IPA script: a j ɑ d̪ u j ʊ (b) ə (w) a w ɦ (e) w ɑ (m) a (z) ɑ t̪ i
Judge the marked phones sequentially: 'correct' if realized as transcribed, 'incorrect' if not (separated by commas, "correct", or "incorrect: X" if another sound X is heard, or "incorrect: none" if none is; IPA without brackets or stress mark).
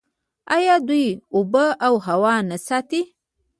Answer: correct, incorrect: none, incorrect: a, incorrect: n, incorrect: s